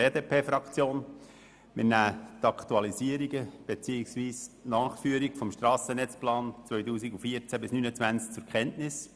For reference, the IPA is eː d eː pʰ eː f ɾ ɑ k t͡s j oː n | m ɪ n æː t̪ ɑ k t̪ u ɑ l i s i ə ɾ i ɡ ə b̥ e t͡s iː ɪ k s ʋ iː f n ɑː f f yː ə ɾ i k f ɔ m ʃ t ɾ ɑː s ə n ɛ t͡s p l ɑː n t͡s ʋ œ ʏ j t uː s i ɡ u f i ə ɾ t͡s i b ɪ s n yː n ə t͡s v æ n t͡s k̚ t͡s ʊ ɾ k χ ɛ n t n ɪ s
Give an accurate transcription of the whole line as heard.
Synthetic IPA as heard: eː d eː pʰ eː f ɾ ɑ k t͡s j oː n | m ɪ n æː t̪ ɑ k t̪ u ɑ l i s i ə ɾ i ɡ ə b̥ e t͡s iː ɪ k s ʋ iː s n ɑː χ f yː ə ɾ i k f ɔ m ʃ t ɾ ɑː s ə n ɛ t͡s p l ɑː n t͡s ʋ œ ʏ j t uː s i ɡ u f i ə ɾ t͡s æ b ɪ s n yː n ə t͡s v æ n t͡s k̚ t͡s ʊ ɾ k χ ɛ n t n ɪ s